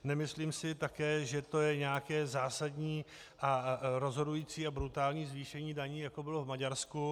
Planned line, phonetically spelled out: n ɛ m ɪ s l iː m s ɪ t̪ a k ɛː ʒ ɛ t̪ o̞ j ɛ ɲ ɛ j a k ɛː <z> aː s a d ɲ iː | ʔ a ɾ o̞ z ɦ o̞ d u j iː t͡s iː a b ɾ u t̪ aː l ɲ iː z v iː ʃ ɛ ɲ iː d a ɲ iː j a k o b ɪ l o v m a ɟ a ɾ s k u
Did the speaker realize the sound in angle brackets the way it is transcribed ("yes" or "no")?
yes